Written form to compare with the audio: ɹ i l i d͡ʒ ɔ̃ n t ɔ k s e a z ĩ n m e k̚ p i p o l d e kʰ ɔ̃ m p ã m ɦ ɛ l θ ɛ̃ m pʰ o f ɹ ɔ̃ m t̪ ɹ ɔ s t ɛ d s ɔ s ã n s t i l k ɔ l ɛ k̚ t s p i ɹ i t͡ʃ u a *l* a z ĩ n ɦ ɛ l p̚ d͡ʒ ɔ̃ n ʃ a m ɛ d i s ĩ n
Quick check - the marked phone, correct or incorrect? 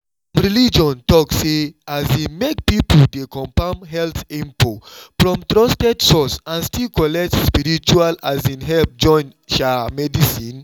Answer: correct